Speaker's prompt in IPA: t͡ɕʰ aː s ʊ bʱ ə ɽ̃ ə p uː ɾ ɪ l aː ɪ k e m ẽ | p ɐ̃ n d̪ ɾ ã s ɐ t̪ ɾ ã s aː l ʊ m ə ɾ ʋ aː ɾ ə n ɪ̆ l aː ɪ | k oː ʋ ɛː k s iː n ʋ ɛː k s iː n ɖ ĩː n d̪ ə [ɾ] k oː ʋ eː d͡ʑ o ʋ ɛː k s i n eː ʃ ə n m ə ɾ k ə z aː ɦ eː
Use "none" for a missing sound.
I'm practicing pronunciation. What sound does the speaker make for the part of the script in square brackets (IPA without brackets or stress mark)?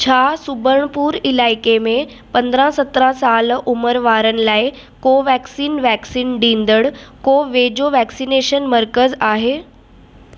ɽ